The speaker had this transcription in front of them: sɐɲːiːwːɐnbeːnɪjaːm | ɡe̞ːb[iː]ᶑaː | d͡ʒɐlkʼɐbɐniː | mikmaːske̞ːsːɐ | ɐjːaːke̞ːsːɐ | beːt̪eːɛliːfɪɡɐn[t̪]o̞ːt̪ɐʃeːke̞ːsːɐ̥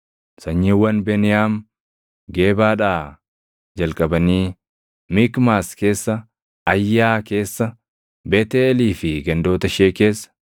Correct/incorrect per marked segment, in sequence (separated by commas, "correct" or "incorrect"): incorrect, incorrect